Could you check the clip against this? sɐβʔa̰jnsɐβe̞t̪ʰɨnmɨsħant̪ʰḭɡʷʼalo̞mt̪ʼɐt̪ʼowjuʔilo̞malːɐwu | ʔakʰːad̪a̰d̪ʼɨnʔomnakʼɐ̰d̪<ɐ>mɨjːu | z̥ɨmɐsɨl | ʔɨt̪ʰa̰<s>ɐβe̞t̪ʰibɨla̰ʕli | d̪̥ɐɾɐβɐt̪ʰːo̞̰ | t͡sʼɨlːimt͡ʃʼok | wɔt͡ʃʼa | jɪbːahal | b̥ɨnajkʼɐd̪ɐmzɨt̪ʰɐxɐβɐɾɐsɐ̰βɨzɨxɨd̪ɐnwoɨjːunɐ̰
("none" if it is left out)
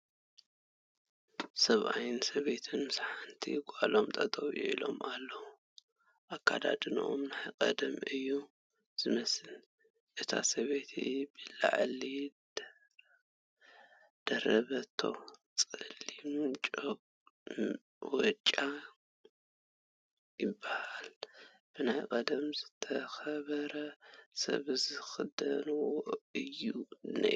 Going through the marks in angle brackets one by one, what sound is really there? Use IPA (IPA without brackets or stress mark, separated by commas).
ɐ, s